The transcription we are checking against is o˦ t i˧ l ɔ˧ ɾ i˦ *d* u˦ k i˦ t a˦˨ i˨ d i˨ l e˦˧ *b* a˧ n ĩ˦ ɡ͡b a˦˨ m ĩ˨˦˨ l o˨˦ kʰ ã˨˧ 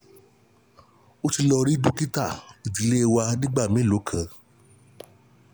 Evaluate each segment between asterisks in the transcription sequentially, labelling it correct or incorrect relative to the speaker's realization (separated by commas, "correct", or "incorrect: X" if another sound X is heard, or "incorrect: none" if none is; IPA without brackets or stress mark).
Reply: correct, incorrect: w